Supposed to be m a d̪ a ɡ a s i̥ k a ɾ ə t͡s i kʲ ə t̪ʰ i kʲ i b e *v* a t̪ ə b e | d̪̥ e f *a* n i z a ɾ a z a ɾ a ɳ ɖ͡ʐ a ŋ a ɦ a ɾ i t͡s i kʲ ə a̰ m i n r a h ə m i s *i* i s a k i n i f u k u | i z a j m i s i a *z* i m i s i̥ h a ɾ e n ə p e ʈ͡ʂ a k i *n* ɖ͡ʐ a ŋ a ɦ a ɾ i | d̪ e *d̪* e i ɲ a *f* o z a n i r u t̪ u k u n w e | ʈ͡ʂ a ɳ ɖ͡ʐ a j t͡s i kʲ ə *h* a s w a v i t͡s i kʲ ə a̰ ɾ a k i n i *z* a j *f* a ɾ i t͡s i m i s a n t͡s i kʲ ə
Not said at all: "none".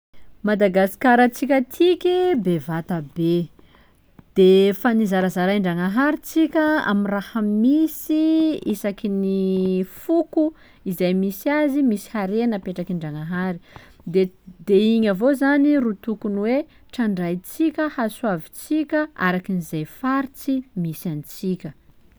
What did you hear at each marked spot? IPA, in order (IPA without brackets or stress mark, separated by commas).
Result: v, a, i, z, ɳ, d̪, v, h, z, f